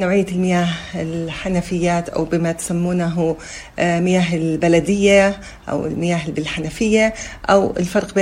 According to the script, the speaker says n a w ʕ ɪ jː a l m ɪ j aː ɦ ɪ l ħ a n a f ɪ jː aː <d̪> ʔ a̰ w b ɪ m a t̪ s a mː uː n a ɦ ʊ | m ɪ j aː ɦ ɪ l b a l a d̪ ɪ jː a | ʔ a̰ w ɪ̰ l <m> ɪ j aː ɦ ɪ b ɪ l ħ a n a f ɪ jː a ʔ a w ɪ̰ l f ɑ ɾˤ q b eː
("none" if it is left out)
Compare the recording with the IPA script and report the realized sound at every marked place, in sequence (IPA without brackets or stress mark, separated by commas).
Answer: t̪, m